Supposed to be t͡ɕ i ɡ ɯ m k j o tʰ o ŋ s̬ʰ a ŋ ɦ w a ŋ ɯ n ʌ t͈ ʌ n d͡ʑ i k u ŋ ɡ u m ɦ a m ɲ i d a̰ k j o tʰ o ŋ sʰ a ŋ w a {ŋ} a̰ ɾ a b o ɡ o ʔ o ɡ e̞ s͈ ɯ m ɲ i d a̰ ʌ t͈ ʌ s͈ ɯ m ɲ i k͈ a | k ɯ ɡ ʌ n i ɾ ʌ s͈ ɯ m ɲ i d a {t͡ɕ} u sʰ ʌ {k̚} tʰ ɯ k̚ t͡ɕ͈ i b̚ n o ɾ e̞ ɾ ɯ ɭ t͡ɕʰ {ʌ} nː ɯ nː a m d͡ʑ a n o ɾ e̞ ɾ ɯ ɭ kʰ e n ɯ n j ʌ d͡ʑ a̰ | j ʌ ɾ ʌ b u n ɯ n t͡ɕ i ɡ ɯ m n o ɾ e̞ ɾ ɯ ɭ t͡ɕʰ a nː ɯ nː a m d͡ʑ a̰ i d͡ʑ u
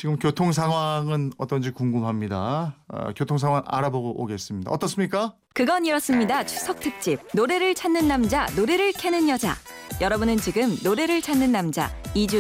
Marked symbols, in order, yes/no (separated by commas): yes, no, yes, no